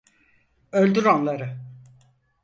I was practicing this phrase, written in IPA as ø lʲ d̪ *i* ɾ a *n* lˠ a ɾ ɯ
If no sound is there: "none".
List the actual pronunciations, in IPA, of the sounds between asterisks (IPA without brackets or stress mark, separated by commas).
y, n